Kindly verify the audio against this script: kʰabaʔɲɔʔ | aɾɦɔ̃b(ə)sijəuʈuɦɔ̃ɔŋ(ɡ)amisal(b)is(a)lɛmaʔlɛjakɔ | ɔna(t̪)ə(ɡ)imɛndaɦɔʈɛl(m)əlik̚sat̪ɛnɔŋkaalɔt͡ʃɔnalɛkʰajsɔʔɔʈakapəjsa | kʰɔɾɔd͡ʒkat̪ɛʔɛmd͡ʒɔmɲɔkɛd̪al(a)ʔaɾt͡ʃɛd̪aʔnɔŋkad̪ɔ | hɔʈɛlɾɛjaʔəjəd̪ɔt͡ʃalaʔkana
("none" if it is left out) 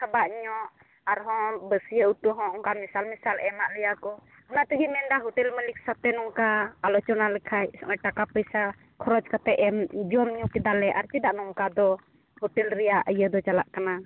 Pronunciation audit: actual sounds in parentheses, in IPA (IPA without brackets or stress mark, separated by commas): ə, k, m, a, t̪, ɡ, m, ɛ